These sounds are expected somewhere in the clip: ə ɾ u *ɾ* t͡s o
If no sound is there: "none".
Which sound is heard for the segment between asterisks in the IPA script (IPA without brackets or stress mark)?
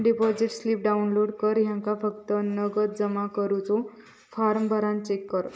none